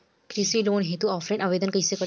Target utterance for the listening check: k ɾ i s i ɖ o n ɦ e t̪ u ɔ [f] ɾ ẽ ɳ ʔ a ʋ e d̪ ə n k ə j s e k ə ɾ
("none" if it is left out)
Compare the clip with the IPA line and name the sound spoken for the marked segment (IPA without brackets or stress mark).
f